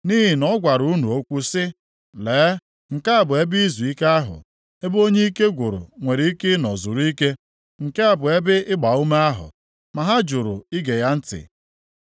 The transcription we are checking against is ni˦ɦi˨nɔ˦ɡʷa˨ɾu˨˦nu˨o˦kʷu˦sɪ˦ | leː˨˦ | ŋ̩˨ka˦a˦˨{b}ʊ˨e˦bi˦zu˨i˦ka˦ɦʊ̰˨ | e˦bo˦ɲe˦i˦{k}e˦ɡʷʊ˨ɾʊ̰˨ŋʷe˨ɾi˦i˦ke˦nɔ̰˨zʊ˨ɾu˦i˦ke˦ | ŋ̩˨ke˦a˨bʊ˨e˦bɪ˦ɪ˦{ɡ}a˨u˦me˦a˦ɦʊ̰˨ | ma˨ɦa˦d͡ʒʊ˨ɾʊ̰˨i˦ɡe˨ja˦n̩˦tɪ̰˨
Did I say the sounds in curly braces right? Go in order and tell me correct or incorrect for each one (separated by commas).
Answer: correct, correct, incorrect